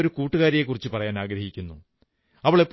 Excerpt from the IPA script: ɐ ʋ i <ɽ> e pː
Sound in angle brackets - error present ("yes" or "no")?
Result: yes